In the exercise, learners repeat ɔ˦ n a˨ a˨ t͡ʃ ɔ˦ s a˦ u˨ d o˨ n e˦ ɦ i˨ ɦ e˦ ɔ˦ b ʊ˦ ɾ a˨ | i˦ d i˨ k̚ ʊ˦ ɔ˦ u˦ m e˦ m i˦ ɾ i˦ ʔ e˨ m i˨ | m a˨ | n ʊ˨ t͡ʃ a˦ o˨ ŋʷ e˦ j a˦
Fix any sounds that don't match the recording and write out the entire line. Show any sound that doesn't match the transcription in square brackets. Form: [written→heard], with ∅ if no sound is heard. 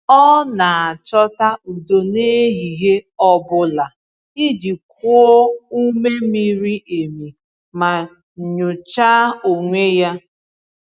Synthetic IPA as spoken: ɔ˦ n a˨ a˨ t͡ʃ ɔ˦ [s→t] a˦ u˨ d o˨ n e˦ ɦ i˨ ɦ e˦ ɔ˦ b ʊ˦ [ɾ→l] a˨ | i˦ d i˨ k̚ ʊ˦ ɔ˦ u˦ m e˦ m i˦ ɾ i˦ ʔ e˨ m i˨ | m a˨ | [n→ɲ] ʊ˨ t͡ʃ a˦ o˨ ŋʷ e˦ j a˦

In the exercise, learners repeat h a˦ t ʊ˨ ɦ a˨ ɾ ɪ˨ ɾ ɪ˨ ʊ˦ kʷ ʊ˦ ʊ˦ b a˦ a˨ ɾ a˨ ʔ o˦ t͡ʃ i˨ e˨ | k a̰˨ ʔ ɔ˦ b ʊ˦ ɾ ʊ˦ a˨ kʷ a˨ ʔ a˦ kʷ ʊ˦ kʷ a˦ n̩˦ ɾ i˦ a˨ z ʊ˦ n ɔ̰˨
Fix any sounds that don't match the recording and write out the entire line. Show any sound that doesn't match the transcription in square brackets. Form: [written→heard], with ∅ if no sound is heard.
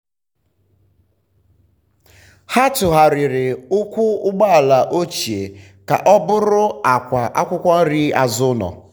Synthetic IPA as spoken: h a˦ t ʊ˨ ɦ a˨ ɾ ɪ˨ ɾ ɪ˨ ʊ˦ kʷ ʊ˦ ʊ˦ [b→ɡ͡b] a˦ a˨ [ɾ→l] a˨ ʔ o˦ t͡ʃ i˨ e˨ | k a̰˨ ʔ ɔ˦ b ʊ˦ ɾ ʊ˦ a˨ kʷ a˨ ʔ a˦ kʷ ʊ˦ kʷ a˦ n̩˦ ɾ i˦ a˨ z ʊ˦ n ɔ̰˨

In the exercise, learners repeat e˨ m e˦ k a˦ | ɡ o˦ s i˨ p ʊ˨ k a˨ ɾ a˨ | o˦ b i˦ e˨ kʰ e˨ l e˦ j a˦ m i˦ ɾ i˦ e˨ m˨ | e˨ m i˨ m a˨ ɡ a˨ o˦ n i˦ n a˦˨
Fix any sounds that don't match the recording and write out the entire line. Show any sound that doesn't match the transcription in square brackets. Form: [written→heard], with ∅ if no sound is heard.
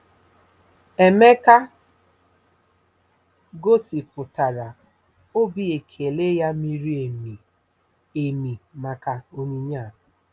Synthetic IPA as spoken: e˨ m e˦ k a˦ | ɡ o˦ s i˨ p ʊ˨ [k→t] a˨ ɾ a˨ | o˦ b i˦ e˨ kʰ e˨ l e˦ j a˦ m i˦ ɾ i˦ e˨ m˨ | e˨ m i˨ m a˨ [ɡ→k] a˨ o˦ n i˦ [n→ɲ] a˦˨

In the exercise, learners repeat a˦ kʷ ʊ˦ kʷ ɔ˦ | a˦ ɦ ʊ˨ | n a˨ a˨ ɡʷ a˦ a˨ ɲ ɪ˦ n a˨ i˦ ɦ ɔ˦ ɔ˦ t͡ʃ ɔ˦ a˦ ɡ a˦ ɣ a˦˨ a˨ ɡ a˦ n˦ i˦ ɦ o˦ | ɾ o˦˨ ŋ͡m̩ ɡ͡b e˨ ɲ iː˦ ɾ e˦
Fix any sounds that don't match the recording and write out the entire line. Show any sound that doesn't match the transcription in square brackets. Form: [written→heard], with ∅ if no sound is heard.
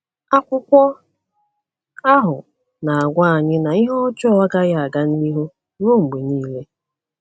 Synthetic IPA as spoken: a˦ kʷ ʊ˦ kʷ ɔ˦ | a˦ ɦ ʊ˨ | n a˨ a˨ ɡʷ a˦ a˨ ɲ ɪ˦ n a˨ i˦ ɦ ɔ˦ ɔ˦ t͡ʃ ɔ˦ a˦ ɡ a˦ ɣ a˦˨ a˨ ɡ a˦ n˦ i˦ ɦ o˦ | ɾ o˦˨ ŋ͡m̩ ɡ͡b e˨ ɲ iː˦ [ɾ→l] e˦

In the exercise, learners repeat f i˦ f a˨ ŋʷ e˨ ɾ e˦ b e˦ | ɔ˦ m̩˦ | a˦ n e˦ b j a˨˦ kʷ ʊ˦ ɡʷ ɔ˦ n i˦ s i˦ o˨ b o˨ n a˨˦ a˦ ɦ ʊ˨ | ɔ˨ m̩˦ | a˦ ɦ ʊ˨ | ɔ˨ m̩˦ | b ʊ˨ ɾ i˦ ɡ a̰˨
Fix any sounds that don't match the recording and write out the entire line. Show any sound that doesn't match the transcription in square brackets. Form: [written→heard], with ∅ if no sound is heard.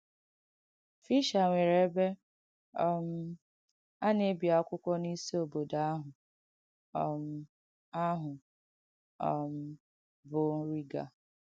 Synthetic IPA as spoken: f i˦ [f→ʃ] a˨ ŋʷ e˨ ɾ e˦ b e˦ | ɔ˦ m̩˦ | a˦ n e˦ b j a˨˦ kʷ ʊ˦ [ɡʷ→kʷ] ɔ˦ n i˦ s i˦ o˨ b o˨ [n→d] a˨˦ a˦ ɦ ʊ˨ | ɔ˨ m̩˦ | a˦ ɦ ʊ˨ | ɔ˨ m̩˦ | b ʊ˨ ɾ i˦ ɡ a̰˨

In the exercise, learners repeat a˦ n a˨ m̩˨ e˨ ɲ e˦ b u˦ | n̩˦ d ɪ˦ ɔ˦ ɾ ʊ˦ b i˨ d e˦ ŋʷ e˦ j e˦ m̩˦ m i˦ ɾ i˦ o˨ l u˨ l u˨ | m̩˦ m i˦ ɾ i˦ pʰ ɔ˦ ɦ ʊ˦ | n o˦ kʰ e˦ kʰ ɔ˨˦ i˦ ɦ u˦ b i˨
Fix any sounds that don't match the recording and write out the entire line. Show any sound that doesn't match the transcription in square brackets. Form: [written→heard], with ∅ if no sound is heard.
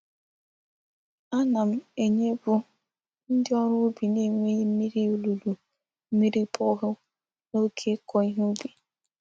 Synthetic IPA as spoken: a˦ n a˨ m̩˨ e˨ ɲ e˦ b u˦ | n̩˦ d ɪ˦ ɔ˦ ɾ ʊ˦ b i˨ [d→n] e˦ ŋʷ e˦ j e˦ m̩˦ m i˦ ɾ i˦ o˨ l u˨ l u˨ | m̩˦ m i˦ ɾ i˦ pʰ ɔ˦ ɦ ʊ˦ | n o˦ kʰ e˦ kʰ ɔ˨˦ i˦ ɦ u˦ b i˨

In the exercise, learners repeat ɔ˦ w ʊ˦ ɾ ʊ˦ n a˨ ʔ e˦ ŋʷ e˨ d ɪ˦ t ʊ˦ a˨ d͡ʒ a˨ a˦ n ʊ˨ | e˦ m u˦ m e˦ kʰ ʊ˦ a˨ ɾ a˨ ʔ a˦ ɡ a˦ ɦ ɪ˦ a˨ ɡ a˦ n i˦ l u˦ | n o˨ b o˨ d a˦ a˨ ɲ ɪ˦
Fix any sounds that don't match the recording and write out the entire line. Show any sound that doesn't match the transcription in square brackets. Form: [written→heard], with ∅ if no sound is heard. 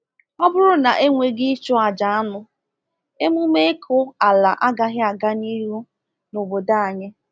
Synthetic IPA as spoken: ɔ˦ [w→b] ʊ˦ ɾ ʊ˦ n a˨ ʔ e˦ ŋʷ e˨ [d→ɡ] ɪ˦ [t→t͡ʃ] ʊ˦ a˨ d͡ʒ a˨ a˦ n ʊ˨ | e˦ m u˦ m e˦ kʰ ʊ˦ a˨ [ɾ→l] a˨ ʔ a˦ ɡ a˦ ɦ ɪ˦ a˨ ɡ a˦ n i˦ [l→ɾ] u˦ | n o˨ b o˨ d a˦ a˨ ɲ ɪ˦

